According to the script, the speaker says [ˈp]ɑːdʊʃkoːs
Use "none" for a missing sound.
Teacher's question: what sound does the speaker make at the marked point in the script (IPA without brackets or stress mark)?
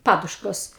p